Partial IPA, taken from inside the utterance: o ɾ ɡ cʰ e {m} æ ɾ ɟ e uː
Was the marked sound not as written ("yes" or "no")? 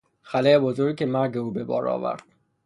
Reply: no